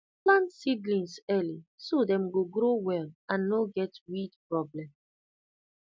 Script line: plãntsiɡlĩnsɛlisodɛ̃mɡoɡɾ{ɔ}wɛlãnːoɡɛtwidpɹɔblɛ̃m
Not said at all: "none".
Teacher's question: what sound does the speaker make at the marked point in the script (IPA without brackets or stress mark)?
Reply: o